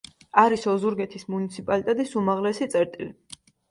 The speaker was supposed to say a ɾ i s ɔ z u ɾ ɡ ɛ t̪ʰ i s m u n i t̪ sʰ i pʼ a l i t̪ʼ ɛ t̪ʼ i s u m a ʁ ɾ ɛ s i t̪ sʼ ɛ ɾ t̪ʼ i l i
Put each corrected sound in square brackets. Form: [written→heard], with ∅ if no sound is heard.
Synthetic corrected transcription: a ɾ i s ɔ z u ɾ ɡ ɛ t̪ʰ i s m u n i t̪ sʰ i pʼ a l i t̪ʼ ɛ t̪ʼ i s u m a ʁ [ɾ→l] ɛ s i t̪ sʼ ɛ ɾ t̪ʼ i l i